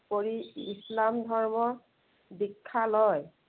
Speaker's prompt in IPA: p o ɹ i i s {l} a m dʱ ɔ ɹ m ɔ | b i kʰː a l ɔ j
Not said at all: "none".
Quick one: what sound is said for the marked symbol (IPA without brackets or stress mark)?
l